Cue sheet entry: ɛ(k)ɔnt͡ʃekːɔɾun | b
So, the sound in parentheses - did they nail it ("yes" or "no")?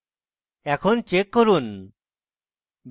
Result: no